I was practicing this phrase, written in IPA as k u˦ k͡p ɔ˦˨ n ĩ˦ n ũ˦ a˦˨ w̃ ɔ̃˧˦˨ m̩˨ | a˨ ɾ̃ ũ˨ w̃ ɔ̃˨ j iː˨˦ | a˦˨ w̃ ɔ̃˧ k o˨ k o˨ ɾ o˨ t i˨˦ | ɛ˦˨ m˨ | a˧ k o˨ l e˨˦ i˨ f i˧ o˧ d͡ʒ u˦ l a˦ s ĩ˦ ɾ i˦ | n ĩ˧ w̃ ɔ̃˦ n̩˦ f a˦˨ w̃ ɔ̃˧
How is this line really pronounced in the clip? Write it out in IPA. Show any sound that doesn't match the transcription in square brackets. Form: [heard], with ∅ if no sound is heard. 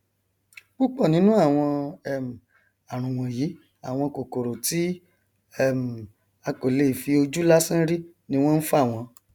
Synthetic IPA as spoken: [k͡p] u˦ k͡p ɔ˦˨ n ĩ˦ n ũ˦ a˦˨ w̃ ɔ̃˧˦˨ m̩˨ | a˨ ɾ̃ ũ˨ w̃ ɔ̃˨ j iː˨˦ | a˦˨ w̃ ɔ̃˧ k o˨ k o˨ ɾ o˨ t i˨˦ | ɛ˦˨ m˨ | a˧ k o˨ l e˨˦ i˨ f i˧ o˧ d͡ʒ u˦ l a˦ s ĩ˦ ɾ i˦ | n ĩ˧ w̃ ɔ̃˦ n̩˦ f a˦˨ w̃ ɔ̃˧

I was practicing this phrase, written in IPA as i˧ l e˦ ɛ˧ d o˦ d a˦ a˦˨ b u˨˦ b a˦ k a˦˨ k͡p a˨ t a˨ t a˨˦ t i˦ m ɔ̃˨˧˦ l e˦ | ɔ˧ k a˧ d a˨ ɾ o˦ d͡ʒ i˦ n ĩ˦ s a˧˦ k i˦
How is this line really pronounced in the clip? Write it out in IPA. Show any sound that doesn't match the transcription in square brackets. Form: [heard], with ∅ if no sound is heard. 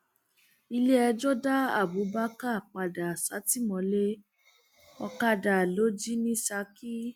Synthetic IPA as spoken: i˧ l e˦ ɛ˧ [d͡ʒ] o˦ d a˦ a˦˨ b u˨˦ b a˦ k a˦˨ k͡p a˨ [d] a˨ [s] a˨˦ t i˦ m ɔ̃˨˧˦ l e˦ | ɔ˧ k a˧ d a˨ [l] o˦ d͡ʒ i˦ n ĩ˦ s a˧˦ k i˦

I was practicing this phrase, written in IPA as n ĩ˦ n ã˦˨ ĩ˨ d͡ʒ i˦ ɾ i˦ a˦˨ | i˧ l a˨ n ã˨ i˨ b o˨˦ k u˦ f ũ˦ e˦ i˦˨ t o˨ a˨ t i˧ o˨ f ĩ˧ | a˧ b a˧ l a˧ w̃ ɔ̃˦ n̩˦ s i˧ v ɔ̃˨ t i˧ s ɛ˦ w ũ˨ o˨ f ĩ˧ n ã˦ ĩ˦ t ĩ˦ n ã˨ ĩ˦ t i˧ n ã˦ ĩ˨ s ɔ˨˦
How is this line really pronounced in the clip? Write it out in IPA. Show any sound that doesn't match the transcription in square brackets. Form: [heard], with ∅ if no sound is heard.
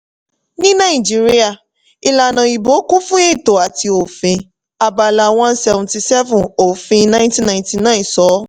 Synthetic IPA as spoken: n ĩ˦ n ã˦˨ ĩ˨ d͡ʒ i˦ ɾ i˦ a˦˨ | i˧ l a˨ n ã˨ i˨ b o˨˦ k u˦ f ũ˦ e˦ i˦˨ t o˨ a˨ t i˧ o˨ f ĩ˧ | a˧ b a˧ l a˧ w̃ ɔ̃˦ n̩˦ s [ɛ˧] v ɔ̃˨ t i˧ s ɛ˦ [v] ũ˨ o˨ f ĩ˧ n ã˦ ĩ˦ t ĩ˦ n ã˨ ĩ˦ t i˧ n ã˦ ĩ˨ s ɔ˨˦

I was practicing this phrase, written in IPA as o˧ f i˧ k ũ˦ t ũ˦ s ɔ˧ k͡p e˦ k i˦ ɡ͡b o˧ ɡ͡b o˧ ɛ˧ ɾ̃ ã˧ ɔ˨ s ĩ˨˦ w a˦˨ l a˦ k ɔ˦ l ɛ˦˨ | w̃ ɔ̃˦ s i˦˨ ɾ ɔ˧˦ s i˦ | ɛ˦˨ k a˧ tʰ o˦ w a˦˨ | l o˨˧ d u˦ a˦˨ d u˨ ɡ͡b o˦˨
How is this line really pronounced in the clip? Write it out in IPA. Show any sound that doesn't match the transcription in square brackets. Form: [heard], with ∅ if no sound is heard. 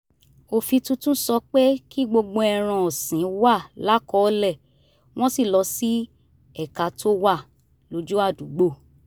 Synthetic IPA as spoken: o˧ f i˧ [t] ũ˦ t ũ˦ s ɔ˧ k͡p e˦ k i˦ ɡ͡b o˧ ɡ͡b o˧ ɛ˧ ɾ̃ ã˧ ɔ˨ s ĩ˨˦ w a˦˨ l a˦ k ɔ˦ l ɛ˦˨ | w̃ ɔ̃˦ s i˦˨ [l] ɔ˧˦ s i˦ | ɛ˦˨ k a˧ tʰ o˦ w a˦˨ | l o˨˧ [d͡ʒ] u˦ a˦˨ d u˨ ɡ͡b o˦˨

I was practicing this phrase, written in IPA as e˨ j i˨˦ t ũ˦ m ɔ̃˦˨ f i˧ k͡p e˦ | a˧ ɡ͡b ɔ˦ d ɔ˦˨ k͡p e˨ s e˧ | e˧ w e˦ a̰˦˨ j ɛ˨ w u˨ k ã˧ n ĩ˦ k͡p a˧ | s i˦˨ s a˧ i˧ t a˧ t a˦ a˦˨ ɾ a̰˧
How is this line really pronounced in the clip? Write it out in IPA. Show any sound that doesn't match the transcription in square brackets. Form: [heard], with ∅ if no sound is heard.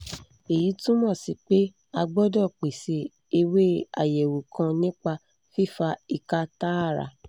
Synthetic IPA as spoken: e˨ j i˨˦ t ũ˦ m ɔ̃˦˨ [s] i˧ k͡p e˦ | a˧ ɡ͡b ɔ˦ d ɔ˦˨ k͡p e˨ s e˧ | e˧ w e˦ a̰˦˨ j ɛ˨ w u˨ k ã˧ n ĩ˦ k͡p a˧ | [f] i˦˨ [f] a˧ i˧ [k] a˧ t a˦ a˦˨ ɾ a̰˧

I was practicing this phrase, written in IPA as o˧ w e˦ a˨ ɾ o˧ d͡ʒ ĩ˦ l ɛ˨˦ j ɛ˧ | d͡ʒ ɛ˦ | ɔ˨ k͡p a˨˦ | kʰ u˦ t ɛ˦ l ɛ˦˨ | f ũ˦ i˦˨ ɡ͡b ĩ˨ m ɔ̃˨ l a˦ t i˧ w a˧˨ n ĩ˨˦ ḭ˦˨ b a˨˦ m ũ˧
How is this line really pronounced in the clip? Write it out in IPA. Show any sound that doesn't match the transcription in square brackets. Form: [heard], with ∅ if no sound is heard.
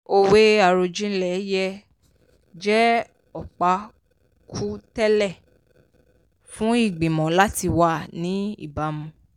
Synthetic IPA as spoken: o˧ w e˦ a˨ ɾ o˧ d͡ʒ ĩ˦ l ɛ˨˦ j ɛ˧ | d͡ʒ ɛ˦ | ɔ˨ k͡p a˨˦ | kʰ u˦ t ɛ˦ l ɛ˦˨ | f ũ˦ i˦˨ ɡ͡b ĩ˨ m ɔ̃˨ l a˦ t i˧ w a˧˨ n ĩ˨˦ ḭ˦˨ b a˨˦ m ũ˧

